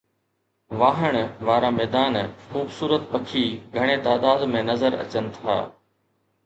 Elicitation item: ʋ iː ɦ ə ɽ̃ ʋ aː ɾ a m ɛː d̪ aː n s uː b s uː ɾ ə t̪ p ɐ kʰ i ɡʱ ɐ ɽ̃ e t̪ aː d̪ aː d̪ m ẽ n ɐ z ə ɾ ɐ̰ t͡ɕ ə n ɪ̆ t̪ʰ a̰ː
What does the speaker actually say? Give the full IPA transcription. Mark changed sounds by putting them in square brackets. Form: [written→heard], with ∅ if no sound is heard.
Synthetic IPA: ʋ [iː→aː] ɦ ə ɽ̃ ʋ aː ɾ a m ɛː d̪ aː n [s→x] uː b s uː ɾ ə t̪ p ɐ kʰ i ɡʱ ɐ ɽ̃ e t̪ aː d̪ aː d̪ m ẽ n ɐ z ə ɾ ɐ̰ t͡ɕ ə n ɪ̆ t̪ʰ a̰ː